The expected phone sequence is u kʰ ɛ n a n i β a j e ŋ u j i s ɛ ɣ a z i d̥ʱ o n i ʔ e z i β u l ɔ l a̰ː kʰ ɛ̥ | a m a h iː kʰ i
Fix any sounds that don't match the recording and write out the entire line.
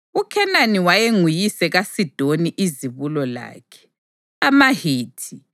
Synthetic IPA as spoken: u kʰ ɛ n a n i w a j e ŋ u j i s ɛ ɣ a s i d̥ʱ o n i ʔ i z i β u l ɔ l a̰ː kʰ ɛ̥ | a m a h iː tʰ i